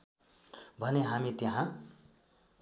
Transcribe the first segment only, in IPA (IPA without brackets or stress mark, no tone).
bʱ